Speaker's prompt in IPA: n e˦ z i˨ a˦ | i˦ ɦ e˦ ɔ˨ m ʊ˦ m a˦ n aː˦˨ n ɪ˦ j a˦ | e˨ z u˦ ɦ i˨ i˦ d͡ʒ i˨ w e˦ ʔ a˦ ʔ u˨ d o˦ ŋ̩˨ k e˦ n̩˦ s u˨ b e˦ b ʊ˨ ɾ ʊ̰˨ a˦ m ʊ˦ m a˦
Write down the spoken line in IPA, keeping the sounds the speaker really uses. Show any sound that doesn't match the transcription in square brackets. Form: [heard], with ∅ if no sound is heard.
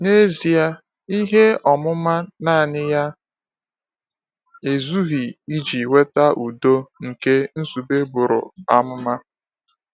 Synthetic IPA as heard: n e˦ z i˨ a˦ | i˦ ɦ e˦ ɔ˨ m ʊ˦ m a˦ n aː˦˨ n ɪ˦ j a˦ | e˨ z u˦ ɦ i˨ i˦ d͡ʒ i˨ w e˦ [t] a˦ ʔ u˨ d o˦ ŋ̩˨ k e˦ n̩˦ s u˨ b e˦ b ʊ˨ ɾ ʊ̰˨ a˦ m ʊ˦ m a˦